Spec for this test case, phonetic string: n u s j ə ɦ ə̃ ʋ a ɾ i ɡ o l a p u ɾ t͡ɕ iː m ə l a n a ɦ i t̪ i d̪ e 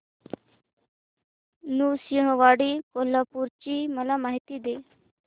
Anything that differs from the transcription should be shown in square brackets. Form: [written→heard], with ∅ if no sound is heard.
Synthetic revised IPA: n u s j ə ɦ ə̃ ʋ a [ɾ→ɽ] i [ɡ→k] o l a p u ɾ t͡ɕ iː m ə l a [n→m] a ɦ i t̪ i d̪ e